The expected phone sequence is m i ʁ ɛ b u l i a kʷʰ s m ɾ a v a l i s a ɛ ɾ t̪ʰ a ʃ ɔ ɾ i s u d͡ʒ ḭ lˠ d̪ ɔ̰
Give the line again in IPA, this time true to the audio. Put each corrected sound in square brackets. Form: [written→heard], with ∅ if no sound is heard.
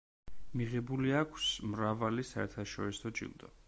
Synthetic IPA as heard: m i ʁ ɛ b u l i a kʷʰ s m ɾ a v a l i s a ɛ ɾ t̪ʰ a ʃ ɔ ɾ i s [u→ɔ] d͡ʒ ḭ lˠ d̪ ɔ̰

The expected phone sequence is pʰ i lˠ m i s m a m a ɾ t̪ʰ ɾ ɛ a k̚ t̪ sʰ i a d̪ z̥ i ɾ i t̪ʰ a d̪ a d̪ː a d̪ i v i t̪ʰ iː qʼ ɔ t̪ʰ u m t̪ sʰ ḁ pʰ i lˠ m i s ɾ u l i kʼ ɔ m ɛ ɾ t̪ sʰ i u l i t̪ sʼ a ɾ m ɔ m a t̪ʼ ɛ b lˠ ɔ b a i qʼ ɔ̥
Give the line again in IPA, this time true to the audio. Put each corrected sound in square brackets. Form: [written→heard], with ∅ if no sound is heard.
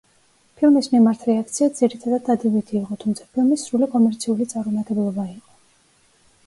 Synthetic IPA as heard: pʰ i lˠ m i s m [a→i] m a ɾ t̪ʰ ɾ ɛ a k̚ t̪ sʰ i a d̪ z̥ i ɾ i t̪ʰ a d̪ a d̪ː a d̪ i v i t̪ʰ iː qʼ ɔ t̪ʰ u m t̪ sʰ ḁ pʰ i lˠ m i s ɾ u l i kʼ ɔ m ɛ ɾ t̪ sʰ i u l i t̪ sʼ a ɾ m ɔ m a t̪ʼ ɛ b lˠ ɔ b a i qʼ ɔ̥

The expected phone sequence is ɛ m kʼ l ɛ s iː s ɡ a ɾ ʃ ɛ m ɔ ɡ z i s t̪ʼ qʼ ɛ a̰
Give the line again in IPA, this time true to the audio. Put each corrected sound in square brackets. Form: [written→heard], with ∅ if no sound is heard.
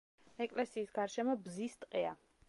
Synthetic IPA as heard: ɛ [m→∅] kʼ l ɛ s iː s ɡ a ɾ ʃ ɛ m ɔ [ɡ→b] z i s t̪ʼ qʼ ɛ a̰

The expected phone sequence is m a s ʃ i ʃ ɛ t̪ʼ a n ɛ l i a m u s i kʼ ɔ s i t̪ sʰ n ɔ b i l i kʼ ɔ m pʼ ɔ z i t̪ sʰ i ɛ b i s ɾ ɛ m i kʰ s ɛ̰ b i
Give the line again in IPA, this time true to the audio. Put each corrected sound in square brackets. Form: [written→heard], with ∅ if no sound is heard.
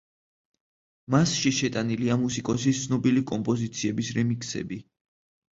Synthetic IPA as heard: m a s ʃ i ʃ ɛ t̪ʼ a n [ɛ→i] l i a m u s i kʼ ɔ s i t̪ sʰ n ɔ b i l i kʼ ɔ m pʼ ɔ z i t̪ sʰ i ɛ b i s ɾ ɛ m i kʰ s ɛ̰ b i

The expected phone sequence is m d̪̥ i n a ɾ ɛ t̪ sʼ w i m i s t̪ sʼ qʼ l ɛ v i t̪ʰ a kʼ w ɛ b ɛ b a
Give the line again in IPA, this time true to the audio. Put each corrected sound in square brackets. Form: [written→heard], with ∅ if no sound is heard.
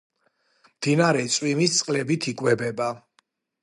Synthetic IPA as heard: m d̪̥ i n a ɾ ɛ t̪ sʼ w i m i s t̪ sʼ qʼ l ɛ [v→b] i t̪ʰ [a→i] kʼ w ɛ b ɛ b a

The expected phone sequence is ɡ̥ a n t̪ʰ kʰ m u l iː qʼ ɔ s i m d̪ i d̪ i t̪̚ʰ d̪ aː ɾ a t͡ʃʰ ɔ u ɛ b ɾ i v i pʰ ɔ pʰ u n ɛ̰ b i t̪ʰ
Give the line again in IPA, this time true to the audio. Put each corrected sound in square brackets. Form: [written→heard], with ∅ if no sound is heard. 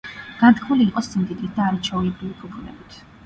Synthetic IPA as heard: ɡ̥ a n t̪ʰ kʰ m u l iː qʼ ɔ s i m d̪ i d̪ i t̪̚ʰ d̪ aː ɾ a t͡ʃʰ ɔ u ɛ b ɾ i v i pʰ [ɔ→u] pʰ u n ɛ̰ b i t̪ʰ

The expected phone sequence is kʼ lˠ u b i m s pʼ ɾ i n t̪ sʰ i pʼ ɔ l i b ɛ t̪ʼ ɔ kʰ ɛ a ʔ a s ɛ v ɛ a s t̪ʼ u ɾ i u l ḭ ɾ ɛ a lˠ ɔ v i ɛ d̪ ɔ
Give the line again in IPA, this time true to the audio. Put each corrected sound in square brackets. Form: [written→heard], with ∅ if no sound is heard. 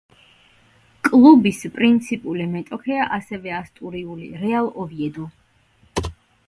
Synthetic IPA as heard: kʼ lˠ u b i [m→∅] s pʼ ɾ i n t̪ sʰ i pʼ [ɔ→u] l i [b→m] ɛ t̪ʼ ɔ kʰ ɛ a ʔ a s ɛ v ɛ a s t̪ʼ u ɾ i u l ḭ ɾ ɛ a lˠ ɔ v i ɛ d̪ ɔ

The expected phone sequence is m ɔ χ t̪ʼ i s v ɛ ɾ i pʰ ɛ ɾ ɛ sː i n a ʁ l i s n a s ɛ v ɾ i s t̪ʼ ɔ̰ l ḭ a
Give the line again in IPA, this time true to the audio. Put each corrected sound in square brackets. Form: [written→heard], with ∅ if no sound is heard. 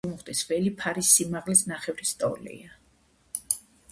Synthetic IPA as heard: m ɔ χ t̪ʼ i s v ɛ [ɾ→l] i pʰ [ɛ→a] ɾ [ɛ→i] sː i [n→m] a ʁ l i s n a [s→χ] ɛ v ɾ i s t̪ʼ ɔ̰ l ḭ a

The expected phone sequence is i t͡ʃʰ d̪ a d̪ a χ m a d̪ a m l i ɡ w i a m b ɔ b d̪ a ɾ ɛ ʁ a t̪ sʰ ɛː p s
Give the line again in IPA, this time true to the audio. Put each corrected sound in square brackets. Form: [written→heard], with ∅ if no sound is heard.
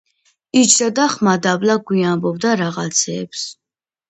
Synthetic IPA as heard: i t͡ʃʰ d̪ a d̪ a χ m a d̪ a [m→b] l [i→a] ɡ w i a m b ɔ b d̪ a ɾ [ɛ→a] ʁ a t̪ sʰ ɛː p s

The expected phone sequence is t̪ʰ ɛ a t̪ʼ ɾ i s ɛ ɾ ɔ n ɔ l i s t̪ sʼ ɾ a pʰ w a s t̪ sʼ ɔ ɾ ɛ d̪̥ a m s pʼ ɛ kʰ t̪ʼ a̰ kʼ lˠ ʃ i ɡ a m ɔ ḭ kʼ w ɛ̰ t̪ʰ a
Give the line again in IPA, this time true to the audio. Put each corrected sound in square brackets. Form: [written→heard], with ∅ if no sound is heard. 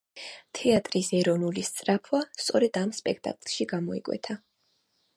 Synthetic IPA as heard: t̪ʰ ɛ a t̪ʼ ɾ i s ɛ ɾ ɔ n [ɔ→u] l i s t̪ sʼ ɾ a pʰ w a s t̪ sʼ ɔ ɾ ɛ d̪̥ a m s pʼ ɛ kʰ t̪ʼ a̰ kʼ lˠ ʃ i ɡ a m ɔ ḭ kʼ w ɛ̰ t̪ʰ a

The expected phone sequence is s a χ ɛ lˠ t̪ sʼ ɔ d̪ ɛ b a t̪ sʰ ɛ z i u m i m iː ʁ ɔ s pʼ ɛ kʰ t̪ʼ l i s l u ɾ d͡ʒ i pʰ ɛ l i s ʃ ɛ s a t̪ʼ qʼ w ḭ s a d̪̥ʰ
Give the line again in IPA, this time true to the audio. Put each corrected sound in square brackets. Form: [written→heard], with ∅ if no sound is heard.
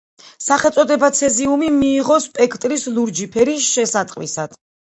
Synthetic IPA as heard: s a χ ɛ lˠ t̪ sʼ ɔ d̪ ɛ b a t̪ sʰ ɛ z i u m i m iː ʁ ɔ s pʼ ɛ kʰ t̪ʼ [l→ɾ] i s l u ɾ d͡ʒ i pʰ ɛ [l→ɾ] i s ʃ ɛ s a t̪ʼ qʼ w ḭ s a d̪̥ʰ

